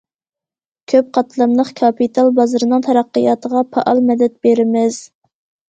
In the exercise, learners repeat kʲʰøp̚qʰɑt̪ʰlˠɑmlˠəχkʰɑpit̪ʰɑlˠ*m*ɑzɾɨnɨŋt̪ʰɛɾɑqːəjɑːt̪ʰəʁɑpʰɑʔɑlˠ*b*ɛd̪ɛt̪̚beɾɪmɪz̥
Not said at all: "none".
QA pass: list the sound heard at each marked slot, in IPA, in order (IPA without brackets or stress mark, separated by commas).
b, m